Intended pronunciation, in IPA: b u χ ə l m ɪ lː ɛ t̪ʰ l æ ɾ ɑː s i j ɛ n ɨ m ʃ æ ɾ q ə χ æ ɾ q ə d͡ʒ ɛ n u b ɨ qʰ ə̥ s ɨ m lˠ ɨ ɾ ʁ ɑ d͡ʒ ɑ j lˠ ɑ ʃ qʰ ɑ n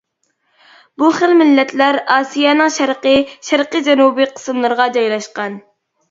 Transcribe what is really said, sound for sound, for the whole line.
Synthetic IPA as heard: b u χ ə l m ɪ lː ɛ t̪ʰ l æ ɾ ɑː s i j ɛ n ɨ ŋ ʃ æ ɾ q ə ʃ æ ɾ q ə d͡ʒ ɛ n u b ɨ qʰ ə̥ s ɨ m lˠ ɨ ɾ ʁ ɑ d͡ʒ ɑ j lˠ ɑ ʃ q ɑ n